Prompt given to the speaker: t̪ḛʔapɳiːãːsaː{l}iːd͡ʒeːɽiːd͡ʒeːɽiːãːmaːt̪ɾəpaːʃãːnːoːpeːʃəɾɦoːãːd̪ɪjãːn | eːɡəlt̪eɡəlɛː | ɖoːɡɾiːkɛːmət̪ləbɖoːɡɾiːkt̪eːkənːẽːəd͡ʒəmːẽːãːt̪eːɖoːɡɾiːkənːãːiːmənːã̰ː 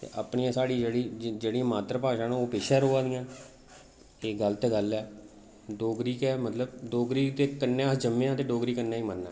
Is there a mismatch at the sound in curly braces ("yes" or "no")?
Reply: yes